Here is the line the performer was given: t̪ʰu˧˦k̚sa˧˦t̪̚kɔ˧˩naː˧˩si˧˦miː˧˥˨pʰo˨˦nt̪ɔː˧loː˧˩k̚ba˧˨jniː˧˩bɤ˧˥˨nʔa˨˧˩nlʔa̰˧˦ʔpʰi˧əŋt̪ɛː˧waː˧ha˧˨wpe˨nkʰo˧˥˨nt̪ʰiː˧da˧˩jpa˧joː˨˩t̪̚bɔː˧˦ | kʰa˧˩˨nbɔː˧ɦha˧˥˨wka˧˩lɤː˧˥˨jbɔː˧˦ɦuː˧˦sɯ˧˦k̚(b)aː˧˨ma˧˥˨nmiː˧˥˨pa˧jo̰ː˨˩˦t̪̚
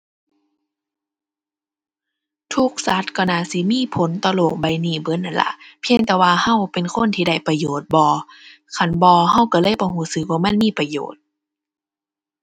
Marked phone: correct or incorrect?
incorrect